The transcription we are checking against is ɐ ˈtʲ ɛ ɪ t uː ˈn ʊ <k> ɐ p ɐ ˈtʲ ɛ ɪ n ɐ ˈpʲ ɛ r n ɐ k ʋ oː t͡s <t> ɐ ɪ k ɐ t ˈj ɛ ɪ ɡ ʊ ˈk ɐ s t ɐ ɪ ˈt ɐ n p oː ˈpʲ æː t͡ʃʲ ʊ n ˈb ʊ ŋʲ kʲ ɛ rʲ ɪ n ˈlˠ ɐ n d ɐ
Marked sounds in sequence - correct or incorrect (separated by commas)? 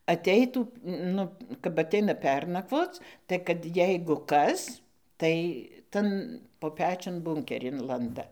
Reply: correct, correct